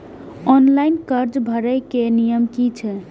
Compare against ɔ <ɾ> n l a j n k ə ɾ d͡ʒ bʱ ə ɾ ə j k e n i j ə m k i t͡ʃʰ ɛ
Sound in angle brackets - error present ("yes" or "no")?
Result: yes